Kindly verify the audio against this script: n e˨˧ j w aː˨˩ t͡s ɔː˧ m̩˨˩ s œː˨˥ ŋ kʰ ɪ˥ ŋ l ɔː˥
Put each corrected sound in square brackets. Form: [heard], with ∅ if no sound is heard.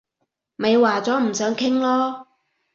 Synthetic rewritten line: [m] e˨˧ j w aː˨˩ t͡s [ɔː˨˥] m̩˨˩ s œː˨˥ ŋ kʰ ɪ˥ ŋ l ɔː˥